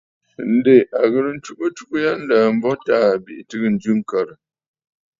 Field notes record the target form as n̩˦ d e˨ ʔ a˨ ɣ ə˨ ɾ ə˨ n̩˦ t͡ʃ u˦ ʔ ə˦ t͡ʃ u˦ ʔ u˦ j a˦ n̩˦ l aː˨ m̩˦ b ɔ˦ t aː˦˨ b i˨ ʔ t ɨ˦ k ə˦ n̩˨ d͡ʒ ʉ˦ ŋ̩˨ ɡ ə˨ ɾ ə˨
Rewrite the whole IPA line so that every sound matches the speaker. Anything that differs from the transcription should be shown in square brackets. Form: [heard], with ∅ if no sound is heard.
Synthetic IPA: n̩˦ d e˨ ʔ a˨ ɣ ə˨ ɾ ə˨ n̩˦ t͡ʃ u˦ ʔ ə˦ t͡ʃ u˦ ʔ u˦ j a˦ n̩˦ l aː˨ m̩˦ b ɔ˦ t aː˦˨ b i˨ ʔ t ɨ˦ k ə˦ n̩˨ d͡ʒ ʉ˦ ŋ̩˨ [k] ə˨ ɾ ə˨